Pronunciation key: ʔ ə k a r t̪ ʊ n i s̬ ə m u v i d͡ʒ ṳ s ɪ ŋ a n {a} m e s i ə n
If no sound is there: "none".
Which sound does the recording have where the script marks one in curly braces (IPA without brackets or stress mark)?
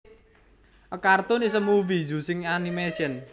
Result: i